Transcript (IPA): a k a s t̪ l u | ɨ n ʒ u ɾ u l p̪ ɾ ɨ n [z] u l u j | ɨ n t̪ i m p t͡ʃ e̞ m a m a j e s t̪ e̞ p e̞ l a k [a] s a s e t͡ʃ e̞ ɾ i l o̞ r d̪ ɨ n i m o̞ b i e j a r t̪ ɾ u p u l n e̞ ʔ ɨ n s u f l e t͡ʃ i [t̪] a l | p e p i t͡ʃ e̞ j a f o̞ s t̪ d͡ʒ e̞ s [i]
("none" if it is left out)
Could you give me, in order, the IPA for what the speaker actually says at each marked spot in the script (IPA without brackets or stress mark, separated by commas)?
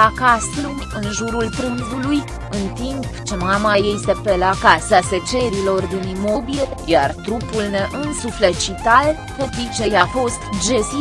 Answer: z, a, t̪, i